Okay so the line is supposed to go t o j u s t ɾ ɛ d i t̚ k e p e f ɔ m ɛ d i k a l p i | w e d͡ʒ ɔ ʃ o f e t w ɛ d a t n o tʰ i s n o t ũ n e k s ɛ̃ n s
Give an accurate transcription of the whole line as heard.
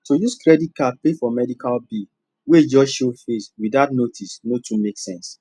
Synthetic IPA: t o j u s k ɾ ɛ d i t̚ k a p e f ɔ m ɛ d i k a l b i | w e d͡ʒ ɔ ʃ o f e s w i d a t n o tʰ i s n o t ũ m e k s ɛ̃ n s